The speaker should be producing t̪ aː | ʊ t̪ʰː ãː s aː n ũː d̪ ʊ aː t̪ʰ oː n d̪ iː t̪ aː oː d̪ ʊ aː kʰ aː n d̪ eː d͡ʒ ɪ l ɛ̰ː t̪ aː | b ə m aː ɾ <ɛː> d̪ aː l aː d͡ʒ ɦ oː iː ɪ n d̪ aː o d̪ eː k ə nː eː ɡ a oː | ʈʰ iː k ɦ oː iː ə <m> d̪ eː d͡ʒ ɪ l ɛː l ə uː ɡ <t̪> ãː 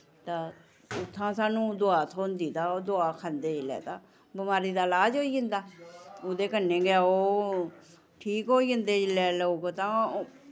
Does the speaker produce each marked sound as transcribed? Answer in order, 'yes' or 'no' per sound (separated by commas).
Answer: no, no, yes